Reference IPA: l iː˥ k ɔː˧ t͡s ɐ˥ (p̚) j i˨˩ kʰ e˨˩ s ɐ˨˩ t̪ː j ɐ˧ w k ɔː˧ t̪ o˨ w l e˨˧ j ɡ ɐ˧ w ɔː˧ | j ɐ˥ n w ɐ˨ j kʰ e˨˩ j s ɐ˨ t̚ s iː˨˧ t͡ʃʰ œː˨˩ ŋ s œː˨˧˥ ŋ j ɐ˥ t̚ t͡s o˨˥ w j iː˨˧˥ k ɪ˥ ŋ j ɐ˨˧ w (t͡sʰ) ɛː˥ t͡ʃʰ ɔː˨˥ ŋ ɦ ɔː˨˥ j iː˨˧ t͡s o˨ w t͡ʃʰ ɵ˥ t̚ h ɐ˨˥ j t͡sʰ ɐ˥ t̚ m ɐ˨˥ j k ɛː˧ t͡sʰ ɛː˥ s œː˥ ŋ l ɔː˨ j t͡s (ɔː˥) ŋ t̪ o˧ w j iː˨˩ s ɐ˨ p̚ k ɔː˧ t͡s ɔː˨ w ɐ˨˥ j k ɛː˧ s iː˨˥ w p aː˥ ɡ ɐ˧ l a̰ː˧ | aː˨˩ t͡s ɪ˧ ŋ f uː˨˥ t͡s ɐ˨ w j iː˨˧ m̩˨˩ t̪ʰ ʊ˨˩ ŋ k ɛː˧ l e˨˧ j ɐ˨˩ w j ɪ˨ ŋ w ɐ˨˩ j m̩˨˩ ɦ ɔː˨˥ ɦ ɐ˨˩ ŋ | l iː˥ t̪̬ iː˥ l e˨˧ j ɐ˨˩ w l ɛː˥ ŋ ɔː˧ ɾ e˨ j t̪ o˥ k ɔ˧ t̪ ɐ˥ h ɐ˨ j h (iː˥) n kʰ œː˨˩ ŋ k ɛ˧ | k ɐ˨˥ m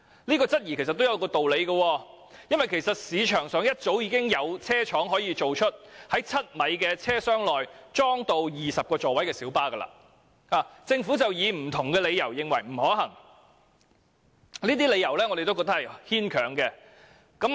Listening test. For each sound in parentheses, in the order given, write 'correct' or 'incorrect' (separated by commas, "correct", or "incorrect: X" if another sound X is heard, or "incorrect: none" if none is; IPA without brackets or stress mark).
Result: incorrect: t̚, correct, correct, correct